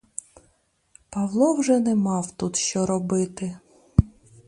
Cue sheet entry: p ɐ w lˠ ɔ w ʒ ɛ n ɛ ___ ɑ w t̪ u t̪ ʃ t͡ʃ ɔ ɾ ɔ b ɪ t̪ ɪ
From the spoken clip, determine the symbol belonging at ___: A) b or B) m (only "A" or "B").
B